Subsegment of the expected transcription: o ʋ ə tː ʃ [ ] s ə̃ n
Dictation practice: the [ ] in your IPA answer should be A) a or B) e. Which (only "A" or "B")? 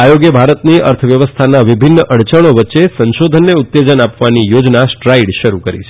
B